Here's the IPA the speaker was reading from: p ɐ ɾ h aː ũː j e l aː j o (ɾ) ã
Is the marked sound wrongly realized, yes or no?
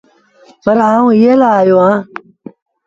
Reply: yes